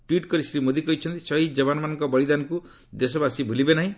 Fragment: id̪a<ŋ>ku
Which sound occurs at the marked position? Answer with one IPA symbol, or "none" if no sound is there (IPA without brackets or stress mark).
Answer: n